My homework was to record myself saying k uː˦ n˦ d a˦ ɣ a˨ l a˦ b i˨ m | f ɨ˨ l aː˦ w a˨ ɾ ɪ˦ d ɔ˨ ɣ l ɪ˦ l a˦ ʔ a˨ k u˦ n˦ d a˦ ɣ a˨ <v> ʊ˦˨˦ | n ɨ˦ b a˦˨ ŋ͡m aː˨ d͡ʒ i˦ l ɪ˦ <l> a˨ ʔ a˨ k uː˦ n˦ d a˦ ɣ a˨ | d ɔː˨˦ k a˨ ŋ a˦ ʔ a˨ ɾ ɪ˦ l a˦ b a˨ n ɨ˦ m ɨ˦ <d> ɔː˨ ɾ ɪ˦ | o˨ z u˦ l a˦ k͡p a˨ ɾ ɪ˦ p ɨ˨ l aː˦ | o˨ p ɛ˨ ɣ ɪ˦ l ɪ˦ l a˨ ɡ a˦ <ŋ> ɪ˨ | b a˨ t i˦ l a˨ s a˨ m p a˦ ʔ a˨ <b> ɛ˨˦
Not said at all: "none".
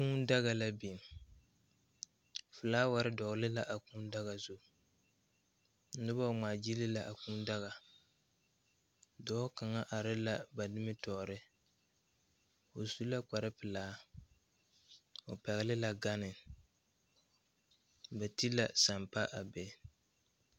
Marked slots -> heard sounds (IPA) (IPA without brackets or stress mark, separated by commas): z, l, t, n, b